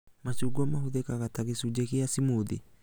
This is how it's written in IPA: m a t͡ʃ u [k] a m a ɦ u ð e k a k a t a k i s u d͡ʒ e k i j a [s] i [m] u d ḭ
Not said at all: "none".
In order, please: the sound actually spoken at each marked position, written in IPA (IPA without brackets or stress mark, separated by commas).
ɡ, s, m